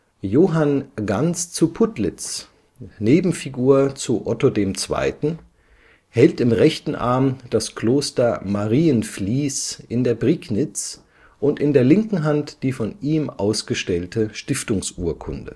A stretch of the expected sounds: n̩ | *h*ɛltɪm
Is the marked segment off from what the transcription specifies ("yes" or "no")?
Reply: no